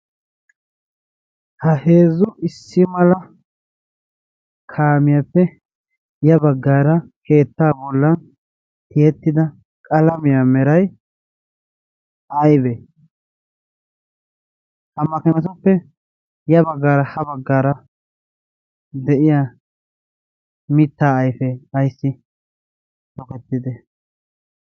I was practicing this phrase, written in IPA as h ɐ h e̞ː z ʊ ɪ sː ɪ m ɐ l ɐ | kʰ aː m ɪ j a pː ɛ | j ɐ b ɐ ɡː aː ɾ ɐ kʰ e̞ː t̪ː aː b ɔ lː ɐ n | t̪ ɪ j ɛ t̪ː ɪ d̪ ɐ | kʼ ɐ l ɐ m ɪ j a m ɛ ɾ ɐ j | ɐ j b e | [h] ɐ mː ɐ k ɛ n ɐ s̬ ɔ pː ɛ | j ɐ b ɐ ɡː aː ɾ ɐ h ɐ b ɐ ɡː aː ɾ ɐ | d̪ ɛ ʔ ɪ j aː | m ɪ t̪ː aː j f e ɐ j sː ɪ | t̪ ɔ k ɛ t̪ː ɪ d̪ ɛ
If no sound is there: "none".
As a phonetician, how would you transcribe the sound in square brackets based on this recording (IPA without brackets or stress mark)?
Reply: h